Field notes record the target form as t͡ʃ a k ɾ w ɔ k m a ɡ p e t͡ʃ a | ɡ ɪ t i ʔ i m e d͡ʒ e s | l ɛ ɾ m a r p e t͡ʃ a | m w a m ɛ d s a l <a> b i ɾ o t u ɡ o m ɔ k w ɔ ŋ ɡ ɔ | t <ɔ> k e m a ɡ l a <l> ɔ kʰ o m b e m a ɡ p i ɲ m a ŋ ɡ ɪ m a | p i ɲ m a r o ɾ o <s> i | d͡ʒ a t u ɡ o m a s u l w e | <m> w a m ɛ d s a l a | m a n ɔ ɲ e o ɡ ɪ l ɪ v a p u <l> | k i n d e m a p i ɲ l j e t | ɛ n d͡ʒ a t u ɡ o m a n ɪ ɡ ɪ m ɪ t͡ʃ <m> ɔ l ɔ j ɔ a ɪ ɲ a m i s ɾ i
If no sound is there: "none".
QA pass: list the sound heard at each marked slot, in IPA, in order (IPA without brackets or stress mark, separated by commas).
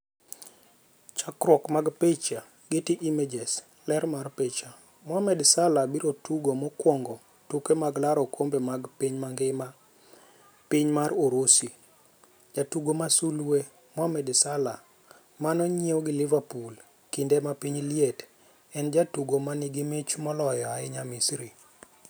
a, u, ɾ, s, m, l, m